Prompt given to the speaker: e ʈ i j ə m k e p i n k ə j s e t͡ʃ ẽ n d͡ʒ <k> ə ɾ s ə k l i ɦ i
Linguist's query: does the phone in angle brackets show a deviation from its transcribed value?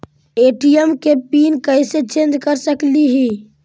no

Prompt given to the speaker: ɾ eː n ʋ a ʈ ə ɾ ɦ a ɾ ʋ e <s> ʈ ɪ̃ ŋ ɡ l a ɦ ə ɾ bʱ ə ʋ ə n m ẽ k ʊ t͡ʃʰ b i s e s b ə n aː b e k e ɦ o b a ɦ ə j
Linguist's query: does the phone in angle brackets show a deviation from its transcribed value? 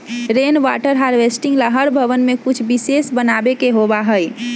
no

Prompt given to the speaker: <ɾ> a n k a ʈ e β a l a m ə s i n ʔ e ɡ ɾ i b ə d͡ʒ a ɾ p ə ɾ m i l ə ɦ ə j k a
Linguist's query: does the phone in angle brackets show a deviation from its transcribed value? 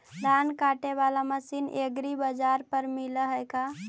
no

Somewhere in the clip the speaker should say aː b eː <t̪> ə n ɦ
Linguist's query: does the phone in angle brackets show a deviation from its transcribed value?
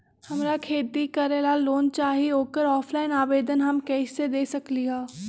yes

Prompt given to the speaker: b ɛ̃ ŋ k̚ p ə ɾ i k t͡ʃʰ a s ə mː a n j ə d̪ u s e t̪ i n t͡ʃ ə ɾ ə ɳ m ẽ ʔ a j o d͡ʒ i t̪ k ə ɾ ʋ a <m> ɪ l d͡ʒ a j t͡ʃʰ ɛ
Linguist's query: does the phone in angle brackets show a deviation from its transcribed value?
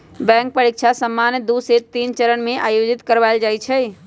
yes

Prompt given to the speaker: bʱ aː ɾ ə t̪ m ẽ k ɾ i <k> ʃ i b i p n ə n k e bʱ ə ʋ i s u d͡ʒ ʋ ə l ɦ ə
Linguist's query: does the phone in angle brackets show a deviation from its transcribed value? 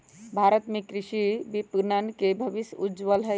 yes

